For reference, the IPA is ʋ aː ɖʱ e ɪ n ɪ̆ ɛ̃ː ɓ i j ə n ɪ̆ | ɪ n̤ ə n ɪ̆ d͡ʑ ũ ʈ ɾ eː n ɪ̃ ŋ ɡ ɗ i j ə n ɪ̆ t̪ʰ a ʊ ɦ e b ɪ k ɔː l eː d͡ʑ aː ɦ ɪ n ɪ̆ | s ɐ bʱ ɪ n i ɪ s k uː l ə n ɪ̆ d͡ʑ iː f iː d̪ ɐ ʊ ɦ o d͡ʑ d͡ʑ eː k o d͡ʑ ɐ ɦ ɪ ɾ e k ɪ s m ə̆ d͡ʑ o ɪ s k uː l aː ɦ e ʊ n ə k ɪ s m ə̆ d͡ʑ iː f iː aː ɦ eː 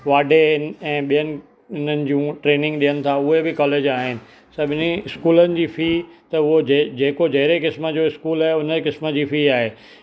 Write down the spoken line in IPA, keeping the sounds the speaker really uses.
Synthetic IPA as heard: ʋ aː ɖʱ e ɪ n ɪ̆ ɛ̃ː ɓ i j ə n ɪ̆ | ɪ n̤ ə n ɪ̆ d͡ʑ ũ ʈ ɾ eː n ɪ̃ ŋ ɡ ɗ i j ə n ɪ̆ t̪ʰ a ʊ ɦ e b ɪ k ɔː l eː d͡ʑ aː ɦ ɪ n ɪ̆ | s ɐ bʱ ɪ n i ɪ s k uː l ə n ɪ̆ d͡ʑ iː f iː t̪ ɐ ʊ ɦ o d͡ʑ d͡ʑ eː k o d͡ʑ ɐ ɦ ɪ ɾ e k ɪ s m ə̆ d͡ʑ o ɪ s k uː l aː ɦ e ʊ n ə k ɪ s m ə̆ d͡ʑ iː f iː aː ɦ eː